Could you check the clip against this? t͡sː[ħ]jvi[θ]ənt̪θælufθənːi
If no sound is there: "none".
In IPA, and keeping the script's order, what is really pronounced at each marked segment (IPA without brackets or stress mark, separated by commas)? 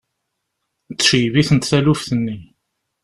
ʃ, θ